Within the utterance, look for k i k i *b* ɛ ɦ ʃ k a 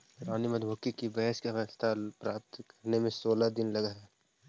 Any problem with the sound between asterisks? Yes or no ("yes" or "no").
no